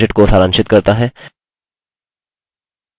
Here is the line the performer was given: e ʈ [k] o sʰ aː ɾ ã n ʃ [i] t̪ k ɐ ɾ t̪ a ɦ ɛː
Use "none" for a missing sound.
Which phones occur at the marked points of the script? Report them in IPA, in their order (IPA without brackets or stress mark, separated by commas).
k, ɪ